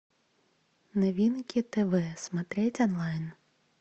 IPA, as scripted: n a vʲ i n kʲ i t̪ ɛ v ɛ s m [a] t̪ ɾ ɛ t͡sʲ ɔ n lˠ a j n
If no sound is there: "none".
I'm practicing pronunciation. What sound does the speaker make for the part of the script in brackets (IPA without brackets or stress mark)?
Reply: a